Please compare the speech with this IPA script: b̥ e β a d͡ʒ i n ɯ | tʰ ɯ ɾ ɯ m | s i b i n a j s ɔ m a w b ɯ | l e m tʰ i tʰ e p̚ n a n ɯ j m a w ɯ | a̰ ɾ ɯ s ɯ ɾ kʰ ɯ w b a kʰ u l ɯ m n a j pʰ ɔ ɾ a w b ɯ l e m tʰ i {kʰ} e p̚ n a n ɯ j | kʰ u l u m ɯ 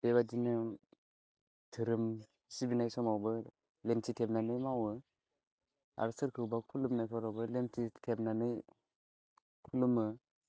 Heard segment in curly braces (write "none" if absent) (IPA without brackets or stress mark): tʰ